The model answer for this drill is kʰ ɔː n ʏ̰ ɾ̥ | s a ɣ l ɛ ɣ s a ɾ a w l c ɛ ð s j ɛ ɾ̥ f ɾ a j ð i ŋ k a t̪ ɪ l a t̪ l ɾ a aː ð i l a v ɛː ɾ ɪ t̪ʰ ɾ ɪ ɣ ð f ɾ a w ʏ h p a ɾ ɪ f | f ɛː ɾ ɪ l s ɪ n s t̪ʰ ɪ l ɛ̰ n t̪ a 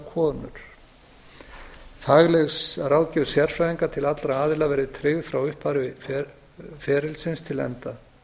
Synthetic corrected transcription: kʰ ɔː n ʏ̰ ɾ̥ | θ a ɣ l ɛ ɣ s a ɾ a w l c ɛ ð s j ɛ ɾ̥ f ɾ a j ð i ŋ k a t̪ʰ ɪ l a t̪ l ɾ a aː ð ɪ l a v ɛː ɾ ɪ t̪ʰ ɾ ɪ ɣ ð f ɾ a w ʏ h p a ɾ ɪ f | f ɛː ɾ ɪ l s ɪ n s t̪ʰ ɪ l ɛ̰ n t̪ a